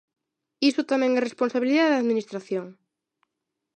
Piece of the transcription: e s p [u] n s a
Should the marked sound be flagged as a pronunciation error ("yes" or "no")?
yes